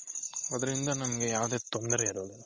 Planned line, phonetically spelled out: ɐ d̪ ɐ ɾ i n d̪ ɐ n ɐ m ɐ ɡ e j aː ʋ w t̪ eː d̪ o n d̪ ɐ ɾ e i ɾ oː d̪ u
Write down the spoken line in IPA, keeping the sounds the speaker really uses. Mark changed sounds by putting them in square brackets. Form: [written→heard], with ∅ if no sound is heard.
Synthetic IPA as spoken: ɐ d̪ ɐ ɾ i n d̪ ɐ n ɐ m ɐ ɡ e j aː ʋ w [t̪→d̪] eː [d̪→t̪] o n d̪ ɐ ɾ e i ɾ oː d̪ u